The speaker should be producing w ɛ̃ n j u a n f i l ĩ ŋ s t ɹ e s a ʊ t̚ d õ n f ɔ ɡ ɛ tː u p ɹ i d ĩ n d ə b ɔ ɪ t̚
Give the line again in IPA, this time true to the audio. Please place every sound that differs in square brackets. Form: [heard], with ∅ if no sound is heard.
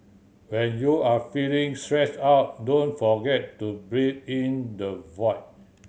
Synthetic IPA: w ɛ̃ n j u a [∅] f i l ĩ ŋ s t ɹ [ɛ] s a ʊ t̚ d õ n f ɔ ɡ ɛ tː u [b] ɹ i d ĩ n d ə [v] ɔ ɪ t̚